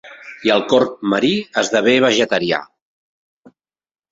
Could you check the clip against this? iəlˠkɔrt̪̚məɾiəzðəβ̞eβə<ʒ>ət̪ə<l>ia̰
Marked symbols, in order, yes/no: yes, no

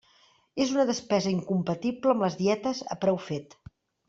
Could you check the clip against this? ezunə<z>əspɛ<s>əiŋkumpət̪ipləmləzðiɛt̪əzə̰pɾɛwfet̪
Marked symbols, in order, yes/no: no, no

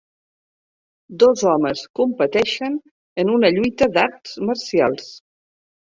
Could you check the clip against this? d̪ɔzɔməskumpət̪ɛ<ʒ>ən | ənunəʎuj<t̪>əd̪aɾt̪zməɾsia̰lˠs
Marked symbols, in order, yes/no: no, yes

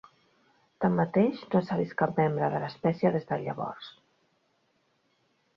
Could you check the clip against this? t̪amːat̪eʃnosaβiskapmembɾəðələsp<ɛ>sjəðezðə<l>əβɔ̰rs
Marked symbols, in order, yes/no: yes, no

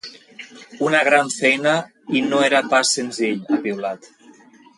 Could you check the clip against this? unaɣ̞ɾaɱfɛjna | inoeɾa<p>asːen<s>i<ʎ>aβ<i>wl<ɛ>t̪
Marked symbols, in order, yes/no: yes, no, yes, yes, no

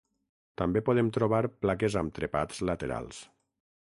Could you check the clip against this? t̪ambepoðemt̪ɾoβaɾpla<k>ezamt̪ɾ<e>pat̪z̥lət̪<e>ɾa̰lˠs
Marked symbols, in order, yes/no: yes, yes, yes

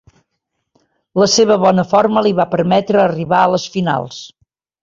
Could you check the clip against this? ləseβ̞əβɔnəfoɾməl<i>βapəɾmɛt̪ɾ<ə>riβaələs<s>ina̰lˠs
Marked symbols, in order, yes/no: yes, no, no

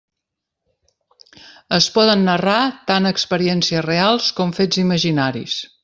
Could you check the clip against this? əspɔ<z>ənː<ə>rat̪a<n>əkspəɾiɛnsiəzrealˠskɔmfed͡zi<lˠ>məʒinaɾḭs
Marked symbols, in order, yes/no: no, yes, yes, no

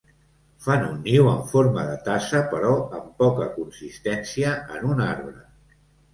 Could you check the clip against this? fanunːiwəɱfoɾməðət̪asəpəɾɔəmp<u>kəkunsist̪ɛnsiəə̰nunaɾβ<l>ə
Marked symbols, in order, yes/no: no, no

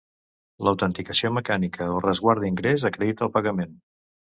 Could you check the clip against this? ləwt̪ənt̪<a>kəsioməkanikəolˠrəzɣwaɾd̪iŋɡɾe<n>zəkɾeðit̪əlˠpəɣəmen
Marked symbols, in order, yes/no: no, no

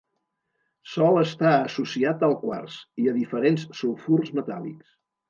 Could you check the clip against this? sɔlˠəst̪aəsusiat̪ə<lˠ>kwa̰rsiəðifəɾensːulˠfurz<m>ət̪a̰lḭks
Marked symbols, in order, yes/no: yes, yes

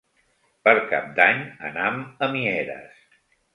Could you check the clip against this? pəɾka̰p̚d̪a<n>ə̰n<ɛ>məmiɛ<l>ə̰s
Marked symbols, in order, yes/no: no, no, no

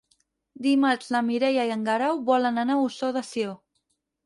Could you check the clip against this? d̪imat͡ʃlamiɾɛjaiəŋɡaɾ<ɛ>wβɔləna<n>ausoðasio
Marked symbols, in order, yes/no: no, yes

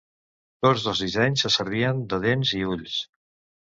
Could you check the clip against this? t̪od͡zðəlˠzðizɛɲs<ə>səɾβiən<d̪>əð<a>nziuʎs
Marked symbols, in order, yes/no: yes, yes, no

